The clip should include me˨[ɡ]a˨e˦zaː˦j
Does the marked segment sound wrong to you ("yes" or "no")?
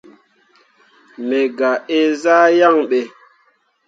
no